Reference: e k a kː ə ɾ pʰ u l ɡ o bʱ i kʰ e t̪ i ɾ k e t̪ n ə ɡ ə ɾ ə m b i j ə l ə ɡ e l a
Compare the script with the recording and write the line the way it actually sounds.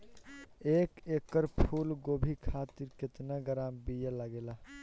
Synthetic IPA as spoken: e k e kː ə ɾ pʰ u l ɡ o bʱ i kʰ a t̪ i ɾ k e t̪ n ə ɡ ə ɾ a m b i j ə l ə ɡ e l a